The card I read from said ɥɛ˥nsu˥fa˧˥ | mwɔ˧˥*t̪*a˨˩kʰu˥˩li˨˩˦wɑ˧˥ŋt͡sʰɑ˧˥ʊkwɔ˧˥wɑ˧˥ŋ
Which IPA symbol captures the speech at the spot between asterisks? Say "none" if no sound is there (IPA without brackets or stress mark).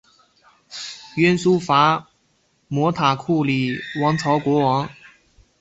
t̪ʰ